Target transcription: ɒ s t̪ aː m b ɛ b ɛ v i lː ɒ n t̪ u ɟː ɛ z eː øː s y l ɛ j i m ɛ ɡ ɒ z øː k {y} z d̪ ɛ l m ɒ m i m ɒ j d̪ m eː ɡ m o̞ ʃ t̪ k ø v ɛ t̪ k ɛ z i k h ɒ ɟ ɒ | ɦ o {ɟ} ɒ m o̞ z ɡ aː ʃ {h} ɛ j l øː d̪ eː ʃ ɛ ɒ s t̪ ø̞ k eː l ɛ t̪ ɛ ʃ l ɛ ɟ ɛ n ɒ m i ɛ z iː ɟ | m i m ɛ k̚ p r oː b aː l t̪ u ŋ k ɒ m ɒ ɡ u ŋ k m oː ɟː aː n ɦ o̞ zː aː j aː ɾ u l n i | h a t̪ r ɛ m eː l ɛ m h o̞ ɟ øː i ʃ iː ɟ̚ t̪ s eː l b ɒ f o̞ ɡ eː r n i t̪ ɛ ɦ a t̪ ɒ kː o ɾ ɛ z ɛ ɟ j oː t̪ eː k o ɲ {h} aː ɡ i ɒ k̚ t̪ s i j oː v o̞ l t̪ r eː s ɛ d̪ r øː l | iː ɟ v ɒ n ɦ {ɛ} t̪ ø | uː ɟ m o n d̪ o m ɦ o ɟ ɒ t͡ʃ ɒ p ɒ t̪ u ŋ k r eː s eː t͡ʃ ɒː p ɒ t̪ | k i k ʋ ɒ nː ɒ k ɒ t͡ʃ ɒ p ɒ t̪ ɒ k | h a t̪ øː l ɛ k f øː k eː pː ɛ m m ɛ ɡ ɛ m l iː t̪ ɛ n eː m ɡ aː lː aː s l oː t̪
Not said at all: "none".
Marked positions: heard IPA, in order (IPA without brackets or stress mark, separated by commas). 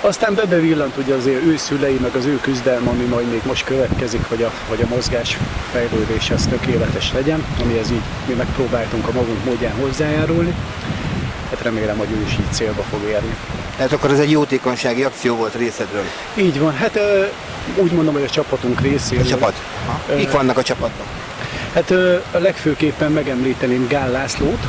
y, ɟ, f, ʃ, a